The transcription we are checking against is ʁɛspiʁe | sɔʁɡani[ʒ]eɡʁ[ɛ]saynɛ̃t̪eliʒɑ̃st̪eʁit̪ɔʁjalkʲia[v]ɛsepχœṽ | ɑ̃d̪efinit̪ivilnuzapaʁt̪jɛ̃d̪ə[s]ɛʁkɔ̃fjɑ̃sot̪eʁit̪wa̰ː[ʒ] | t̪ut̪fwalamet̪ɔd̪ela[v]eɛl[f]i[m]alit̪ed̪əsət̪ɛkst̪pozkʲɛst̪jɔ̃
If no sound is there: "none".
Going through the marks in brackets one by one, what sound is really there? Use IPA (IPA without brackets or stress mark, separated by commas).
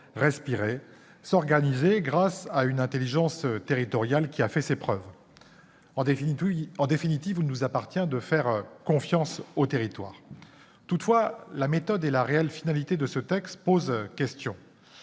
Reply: z, a, f, f, ʁ, ʁ, f, n